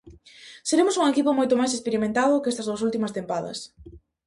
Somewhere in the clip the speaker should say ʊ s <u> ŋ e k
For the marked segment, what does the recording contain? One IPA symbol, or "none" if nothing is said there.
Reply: u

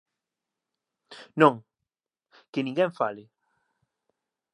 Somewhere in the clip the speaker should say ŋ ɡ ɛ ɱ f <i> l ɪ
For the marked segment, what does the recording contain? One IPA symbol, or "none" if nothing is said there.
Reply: a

